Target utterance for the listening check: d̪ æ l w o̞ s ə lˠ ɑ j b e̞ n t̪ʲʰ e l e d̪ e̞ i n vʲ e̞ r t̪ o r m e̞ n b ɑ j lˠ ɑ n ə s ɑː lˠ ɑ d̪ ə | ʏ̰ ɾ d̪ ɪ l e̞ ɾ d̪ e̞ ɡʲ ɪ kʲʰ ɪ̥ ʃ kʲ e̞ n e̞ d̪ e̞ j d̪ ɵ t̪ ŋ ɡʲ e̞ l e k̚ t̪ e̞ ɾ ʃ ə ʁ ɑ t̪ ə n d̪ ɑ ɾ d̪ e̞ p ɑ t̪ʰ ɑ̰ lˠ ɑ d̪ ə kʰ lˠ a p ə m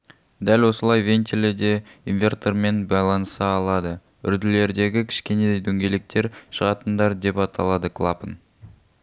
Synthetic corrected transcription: d̪ æ l w o̞ s ə lˠ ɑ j v e̞ n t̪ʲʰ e l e d̪ e̞ i n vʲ e̞ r t̪ o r m e̞ n b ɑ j lˠ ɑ n ə s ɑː lˠ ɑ d̪ ə | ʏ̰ ɾ d̪ ɪ l e̞ ɾ d̪ e̞ ɡʲ ɪ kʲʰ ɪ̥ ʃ kʲ e̞ n e̞ d̪ e̞ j d̪ ɵ ŋ ɡʲ e̞ l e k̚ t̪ e̞ ɾ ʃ ə ʁ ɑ t̪ ə n d̪ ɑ ɾ d̪ e̞ p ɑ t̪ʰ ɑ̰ lˠ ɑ d̪ ə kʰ lˠ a p ə n